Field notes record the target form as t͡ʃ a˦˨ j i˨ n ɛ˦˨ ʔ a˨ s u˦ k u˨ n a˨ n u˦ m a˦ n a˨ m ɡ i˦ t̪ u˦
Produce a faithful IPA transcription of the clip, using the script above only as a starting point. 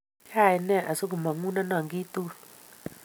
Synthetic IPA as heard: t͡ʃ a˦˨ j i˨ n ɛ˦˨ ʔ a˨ s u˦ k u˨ m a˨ ŋ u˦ n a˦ n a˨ ŋ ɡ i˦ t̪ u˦